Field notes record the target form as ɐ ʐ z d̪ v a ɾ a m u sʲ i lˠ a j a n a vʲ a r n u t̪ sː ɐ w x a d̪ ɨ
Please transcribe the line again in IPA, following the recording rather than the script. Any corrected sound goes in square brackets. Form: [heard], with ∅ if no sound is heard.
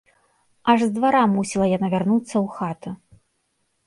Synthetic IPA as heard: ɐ ʐ z d̪ v a ɾ a m u sʲ i lˠ [ɐ] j a n a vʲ a r n u t̪ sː ɐ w x a [t̪] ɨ

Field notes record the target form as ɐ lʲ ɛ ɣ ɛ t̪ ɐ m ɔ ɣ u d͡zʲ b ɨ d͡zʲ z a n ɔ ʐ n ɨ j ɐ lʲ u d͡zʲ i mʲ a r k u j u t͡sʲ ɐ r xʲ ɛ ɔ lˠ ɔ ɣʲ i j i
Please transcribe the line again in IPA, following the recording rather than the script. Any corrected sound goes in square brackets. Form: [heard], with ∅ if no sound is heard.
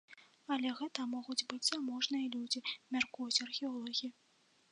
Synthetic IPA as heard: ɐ lʲ ɛ ɣ ɛ t̪ ɐ m ɔ ɣ u d͡zʲ b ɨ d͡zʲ z a [m] ɔ ʐ n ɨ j ɐ lʲ u d͡zʲ i mʲ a r k u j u t͡sʲ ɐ r xʲ ɛ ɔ lˠ ɔ ɣʲ i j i

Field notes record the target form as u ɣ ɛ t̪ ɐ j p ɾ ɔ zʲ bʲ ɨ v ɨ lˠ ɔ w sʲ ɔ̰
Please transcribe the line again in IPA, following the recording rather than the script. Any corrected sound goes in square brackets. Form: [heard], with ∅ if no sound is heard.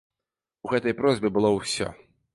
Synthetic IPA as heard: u ɣ ɛ t̪ ɐ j p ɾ ɔ zʲ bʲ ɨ [b] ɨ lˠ ɔ w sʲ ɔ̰

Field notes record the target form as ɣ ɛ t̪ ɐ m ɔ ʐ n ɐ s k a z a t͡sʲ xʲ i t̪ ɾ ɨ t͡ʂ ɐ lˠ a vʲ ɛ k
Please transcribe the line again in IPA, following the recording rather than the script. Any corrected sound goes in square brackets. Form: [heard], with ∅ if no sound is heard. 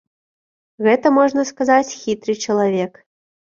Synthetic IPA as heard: ɣ ɛ t̪ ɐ m ɔ ʐ n ɐ s k a z a t͡sʲ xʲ i t̪ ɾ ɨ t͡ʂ ɐ lˠ a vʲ ɛ k

